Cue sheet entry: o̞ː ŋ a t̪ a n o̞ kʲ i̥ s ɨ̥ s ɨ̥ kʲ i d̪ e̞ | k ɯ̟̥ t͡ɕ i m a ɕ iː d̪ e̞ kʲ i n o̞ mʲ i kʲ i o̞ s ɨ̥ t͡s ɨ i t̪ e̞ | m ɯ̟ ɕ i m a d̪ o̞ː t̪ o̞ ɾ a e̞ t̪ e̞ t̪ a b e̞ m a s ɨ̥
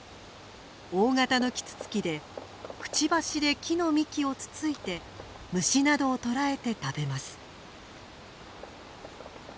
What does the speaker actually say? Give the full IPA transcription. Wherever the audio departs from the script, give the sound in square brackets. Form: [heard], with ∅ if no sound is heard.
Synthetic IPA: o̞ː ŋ a t̪ a n o̞ kʲ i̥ [t͡s] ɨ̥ [t͡s] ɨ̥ kʲ i d̪ e̞ | k ɯ̟̥ t͡ɕ i [b] a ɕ [i] d̪ e̞ kʲ i n o̞ mʲ i kʲ i o̞ [t͡s] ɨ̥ t͡s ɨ i t̪ e̞ | m ɯ̟ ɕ i [n] a d̪ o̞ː t̪ o̞ ɾ a e̞ t̪ e̞ t̪ a b e̞ m a s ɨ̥